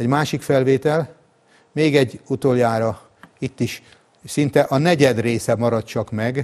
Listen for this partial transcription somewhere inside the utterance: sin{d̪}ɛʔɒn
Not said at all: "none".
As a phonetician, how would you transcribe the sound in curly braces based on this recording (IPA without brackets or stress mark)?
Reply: t̪